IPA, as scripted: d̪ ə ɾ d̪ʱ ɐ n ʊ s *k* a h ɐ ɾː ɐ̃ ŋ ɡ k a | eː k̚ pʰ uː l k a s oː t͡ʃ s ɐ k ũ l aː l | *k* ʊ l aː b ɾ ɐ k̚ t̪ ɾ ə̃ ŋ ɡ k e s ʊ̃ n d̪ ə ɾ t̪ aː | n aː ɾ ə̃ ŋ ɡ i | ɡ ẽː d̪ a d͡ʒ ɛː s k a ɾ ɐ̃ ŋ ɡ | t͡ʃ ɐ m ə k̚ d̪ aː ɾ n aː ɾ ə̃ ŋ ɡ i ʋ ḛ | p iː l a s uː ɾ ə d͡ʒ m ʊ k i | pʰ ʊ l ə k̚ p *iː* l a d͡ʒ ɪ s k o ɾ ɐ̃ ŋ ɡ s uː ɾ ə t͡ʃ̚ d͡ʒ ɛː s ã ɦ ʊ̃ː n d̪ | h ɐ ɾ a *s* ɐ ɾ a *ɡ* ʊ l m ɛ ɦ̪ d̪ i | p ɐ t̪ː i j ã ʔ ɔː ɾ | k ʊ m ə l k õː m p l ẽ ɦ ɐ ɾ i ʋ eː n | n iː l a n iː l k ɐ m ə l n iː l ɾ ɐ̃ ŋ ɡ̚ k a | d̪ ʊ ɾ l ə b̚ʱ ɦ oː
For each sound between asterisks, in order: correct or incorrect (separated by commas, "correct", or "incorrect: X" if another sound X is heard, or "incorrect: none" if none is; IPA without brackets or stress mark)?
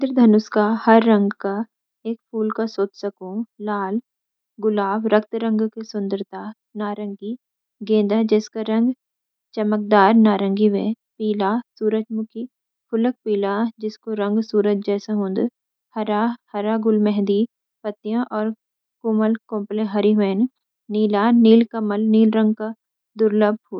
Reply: correct, incorrect: ɡ, correct, incorrect: h, correct